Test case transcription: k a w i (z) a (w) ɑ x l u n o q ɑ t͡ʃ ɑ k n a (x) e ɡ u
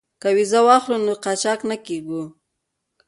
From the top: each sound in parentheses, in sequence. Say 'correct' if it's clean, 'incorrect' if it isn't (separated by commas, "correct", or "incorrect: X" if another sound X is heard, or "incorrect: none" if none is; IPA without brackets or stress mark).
correct, correct, incorrect: k